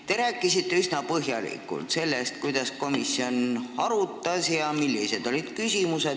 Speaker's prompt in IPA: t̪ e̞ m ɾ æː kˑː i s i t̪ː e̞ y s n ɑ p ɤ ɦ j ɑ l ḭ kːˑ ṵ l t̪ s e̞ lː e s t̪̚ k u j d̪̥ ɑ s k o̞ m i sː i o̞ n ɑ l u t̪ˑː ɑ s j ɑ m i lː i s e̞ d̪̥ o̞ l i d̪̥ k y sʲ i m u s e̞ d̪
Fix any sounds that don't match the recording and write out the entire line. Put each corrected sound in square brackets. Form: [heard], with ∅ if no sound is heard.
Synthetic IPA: t̪ e̞ [∅] ɾ æː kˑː i s i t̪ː e̞ y s n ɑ p ɤ ɦ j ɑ l ḭ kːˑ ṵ l t̪ s e̞ lː e s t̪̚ k u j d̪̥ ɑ s k o̞ m i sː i o̞ n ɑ [ɾ] u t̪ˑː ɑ s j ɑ m i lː i s e̞ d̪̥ o̞ l i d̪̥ k y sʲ i m u s e̞ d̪